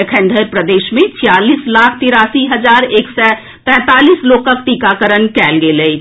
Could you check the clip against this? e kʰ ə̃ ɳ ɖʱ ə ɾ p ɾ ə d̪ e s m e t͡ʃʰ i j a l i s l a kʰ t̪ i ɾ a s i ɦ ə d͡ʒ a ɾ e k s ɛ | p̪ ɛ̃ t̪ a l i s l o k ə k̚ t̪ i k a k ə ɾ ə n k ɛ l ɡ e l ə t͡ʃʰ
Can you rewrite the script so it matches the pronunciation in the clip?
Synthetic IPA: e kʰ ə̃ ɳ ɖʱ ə ɾ p ɾ ə d̪ e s m e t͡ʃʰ i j a l i s l a kʰ t̪ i ɾ a s i ɦ ə d͡ʒ a ɾ e k s ɛ | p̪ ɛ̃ t̪ a l i s l o k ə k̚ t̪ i k a k ə ɾ ə n k ɛ l ɡ e l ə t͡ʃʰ